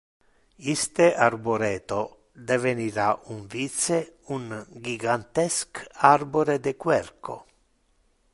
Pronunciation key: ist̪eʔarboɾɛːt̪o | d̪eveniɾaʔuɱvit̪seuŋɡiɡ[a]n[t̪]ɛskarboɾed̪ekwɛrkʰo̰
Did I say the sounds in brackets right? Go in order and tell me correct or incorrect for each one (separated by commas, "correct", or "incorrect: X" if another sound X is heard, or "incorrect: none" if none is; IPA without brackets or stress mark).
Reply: correct, correct